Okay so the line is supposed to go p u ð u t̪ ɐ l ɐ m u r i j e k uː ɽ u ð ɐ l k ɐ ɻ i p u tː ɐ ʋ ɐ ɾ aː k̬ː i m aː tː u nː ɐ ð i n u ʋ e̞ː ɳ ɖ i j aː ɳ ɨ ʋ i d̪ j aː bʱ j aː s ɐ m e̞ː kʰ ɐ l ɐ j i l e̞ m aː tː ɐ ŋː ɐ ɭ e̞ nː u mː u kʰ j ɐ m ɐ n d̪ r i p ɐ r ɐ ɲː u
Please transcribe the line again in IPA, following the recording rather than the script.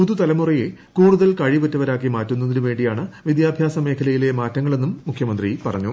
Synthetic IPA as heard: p u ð u t̪ ɐ l ɐ m u r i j e k uː ɽ u ð ɐ l k ɐ ɻ i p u tː ɐ ʋ ɐ ɾ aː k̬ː i m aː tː u nː ɐ ð i n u ʋ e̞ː ɳ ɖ i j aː ɳ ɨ ʋ i d̪ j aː bʱ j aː s ɐ m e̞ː kʰ ɐ l ɐ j i l e̞ m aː tː ɐ ŋː ɐ ɭ e̞ nː u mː u kʰ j ɐ m ɐ n d̪ r i p ɐ r ɐ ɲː u

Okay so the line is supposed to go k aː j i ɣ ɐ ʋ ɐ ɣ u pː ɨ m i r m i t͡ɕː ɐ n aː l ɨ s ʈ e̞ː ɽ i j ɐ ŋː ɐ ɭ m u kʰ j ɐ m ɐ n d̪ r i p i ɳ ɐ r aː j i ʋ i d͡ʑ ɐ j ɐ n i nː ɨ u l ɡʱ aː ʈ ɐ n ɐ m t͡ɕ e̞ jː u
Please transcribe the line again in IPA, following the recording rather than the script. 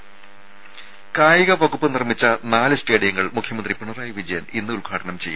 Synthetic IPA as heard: k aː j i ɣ ɐ ʋ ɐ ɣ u pː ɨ n i r m i t͡ɕː ɐ n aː l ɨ s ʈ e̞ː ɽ i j ɐ ŋː ɐ ɭ m u kʰ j ɐ m ɐ n d̪ r i p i ɳ ɐ r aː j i ʋ i d͡ʑ ɐ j ɐ n i nː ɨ u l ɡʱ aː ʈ ɐ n ɐ m t͡ɕ e̞ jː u

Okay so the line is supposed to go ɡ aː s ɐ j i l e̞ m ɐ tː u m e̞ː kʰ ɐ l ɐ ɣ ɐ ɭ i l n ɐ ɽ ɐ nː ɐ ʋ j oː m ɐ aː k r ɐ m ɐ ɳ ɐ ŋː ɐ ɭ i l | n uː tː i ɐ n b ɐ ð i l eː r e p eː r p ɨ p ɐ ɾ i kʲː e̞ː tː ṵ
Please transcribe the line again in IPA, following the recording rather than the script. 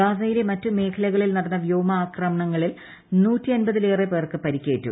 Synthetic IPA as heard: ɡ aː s ɐ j i l e̞ m ɐ tː u m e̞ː kʰ ɐ l ɐ ɣ ɐ ɭ i l n ɐ ɽ ɐ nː ɐ ʋ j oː m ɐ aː k r ɐ m ɐ ɳ ɐ ŋː ɐ ɭ i l | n uː tː i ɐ n b ɐ ð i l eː r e p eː r k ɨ p ɐ ɾ i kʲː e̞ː tː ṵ

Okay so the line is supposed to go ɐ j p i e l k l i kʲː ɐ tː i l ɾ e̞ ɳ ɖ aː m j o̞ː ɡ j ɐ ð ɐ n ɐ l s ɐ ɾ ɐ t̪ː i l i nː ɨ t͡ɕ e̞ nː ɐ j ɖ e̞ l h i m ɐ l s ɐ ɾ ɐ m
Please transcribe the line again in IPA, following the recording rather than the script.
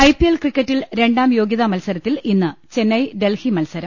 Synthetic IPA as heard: ɐ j p i e l k r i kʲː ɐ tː i l ɾ e̞ ɳ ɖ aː m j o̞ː ɡ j ɐ ð ɐ m ɐ l s ɐ ɾ ɐ t̪ː i l i nː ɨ t͡ɕ e̞ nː ɐ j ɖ e̞ l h i m ɐ l s ɐ ɾ ɐ m

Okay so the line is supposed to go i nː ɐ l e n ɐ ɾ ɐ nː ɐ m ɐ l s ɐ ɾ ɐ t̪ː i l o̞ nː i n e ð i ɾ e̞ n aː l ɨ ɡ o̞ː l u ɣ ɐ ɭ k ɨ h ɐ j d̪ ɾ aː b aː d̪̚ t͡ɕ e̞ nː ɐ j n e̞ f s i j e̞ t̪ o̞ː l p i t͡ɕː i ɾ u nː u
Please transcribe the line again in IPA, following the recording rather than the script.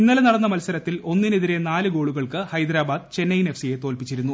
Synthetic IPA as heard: i nː ɐ l e n ɐ ɽ ɐ nː ɐ m ɐ l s ɐ ɾ ɐ t̪ː i l o̞ nː i n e ð i ɾ e̞ n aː l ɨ ɡ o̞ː ɭ u ɣ ɐ ɭ k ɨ h ɐ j d̪ ɾ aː b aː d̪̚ t͡ɕ e̞ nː ɐ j n e̞ f s i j e̞ t̪ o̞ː l p i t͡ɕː i ɾ u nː u

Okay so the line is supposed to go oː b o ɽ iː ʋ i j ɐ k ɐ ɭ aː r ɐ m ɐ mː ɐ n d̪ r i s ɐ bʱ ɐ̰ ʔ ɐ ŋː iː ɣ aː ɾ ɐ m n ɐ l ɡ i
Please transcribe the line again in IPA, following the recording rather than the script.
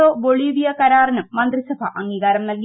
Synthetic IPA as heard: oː b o ɭ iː ʋ i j ɐ k ɐ ɾ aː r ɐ n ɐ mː ɐ n d̪ r i s ɐ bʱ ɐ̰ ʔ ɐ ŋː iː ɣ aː ɾ ɐ m n ɐ l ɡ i

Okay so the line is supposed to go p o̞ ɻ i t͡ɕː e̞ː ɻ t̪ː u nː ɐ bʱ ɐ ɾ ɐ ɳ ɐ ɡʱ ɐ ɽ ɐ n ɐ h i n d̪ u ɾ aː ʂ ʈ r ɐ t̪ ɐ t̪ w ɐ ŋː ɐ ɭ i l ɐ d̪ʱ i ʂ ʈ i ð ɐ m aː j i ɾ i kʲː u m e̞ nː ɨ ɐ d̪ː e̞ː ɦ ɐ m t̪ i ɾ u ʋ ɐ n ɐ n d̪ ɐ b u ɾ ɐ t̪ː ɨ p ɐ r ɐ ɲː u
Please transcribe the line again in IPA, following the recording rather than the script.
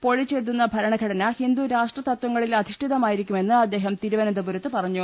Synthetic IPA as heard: p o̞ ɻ i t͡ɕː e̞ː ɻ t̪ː u nː ɐ bʱ ɐ ɾ ɐ ɳ ɐ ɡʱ ɐ ɽ ɐ n ɐ h i n d̪ u ɾ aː ʂ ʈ r ɐ t̪ ɐ t̪ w ɐ ŋː ɐ ɭ i l ɐ d̪ʱ i ʂ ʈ i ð ɐ m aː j i ɾ i kʲː u m e̞ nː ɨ ɐ d̪ː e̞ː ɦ ɐ m t̪ i ɾ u ʋ ɐ n ɐ n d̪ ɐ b u ɾ ɐ t̪ː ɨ p ɐ r ɐ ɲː u

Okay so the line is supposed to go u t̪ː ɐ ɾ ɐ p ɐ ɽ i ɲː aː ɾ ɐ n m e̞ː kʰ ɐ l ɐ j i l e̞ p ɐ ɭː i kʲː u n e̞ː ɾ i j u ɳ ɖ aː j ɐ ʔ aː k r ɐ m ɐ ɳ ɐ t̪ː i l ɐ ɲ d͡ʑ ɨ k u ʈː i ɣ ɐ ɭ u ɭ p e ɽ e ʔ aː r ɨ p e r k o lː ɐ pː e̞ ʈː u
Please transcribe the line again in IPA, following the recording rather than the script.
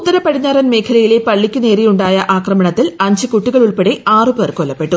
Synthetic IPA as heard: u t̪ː ɐ ɾ ɐ p ɐ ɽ i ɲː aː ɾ ɐ n m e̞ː kʰ ɐ l ɐ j i l e̞ p ɐ ɭː i kʲː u n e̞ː ɾ i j u ɳ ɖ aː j ɐ ʔ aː k r ɐ m ɐ ɳ ɐ t̪ː i l ɐ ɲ d͡ʑ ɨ k u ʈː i ɣ ɐ ɭ u ɭ p e ɽ e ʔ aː r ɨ p e r k o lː ɐ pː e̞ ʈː u

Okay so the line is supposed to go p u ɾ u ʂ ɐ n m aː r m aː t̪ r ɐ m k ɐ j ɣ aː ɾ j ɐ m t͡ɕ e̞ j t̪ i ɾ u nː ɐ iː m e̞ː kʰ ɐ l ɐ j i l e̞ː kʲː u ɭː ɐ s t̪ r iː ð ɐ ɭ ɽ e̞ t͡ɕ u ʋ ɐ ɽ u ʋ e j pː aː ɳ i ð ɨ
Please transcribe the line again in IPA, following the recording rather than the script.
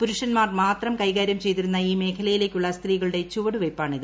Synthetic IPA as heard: p u ɾ u ʂ ɐ n m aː r m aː t̪ r ɐ m k ɐ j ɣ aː ɾ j ɐ m t͡ɕ e̞ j t̪ i ɾ u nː ɐ iː m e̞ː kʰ ɐ l ɐ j i l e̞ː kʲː u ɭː ɐ s t̪ r iː ɣ ɐ ɭ ɽ e̞ t͡ɕ u ʋ ɐ ɽ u ʋ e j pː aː ɳ i ð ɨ

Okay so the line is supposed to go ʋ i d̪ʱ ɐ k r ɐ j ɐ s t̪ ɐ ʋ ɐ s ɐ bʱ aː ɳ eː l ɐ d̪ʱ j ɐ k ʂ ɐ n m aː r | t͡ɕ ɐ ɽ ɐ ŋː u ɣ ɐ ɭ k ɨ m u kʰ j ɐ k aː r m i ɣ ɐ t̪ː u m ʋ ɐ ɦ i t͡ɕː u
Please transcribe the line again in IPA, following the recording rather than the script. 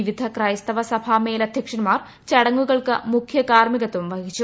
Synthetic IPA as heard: ʋ i d̪ʱ ɐ k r ɐ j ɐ s t̪ ɐ ʋ ɐ s ɐ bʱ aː m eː l ɐ d̪ʱ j ɐ k ʂ ɐ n m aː r | t͡ɕ ɐ ɽ ɐ ŋː u ɣ ɐ ɭ k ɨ m u kʰ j ɐ k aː r m i ɣ ɐ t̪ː u m ʋ ɐ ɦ i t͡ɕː u

